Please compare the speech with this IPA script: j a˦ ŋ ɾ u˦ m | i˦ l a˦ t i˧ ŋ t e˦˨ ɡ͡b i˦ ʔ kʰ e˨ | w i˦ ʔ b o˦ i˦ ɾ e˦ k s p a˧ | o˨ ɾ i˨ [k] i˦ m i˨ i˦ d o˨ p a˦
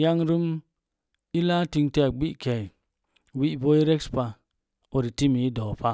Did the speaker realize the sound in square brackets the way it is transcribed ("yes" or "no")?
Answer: no